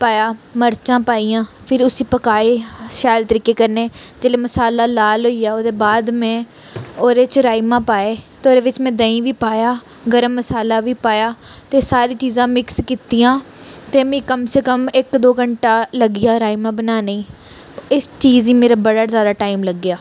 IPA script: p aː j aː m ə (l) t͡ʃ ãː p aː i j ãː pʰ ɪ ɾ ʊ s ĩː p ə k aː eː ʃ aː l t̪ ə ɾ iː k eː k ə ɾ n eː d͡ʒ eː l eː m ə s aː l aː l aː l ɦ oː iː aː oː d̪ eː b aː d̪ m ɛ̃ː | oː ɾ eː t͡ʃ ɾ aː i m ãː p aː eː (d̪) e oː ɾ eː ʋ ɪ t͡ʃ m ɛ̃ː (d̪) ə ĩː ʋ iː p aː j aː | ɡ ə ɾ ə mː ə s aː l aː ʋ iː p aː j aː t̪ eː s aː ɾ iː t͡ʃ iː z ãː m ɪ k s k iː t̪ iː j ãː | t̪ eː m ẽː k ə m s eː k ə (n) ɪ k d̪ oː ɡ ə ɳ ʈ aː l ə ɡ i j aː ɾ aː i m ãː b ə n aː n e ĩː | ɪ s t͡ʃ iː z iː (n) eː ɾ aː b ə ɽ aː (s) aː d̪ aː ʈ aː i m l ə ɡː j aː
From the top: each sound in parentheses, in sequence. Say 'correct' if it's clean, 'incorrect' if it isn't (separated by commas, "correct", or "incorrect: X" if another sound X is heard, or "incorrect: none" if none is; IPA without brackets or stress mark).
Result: incorrect: ɾ, incorrect: t̪, correct, incorrect: m, incorrect: m, incorrect: z